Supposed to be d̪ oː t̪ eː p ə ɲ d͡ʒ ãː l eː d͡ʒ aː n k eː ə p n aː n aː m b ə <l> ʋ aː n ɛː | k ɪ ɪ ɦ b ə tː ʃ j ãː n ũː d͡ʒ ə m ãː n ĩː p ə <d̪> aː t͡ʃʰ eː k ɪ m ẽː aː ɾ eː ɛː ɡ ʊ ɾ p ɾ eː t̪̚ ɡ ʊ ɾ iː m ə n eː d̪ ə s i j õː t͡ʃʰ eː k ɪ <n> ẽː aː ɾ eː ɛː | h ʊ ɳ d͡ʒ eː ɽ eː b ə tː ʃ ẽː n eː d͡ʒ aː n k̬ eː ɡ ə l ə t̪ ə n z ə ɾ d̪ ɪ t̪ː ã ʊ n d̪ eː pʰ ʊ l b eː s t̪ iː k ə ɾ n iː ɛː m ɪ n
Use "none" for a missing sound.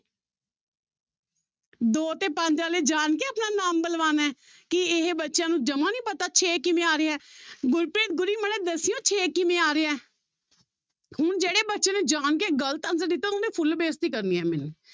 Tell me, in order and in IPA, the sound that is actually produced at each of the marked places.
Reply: l, t̪, m

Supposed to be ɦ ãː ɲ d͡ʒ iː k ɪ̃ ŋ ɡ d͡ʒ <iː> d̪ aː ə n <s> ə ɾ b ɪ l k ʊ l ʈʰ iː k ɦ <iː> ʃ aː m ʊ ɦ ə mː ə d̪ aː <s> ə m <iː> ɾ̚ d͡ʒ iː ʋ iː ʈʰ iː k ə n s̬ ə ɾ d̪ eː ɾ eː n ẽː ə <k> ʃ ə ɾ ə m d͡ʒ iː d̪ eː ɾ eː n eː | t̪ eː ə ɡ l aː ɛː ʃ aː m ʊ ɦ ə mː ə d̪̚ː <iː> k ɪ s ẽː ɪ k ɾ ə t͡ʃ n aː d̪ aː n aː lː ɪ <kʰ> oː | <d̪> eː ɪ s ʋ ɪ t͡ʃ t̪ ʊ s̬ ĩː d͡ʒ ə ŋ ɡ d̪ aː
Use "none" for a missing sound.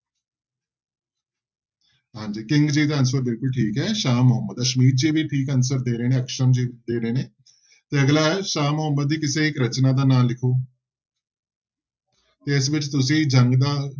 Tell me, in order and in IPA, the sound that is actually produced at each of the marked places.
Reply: iː, s, ɛː, ʃ, iː, k, iː, kʰ, t̪

